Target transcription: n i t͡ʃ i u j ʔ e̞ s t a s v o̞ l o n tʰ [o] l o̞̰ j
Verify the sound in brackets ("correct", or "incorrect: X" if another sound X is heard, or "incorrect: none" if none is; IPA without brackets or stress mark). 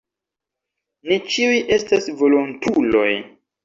incorrect: u